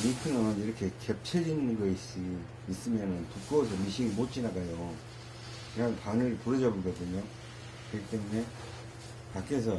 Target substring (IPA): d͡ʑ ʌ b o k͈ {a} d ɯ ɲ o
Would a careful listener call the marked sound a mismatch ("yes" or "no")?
yes